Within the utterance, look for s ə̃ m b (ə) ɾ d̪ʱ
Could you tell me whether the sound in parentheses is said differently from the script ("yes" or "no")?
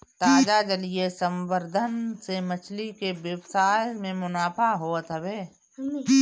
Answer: no